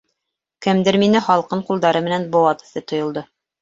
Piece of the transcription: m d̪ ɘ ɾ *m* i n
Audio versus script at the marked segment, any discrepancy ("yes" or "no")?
no